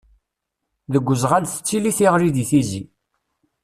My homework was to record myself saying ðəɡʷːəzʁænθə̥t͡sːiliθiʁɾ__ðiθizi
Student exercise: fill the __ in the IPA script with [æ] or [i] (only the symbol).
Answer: i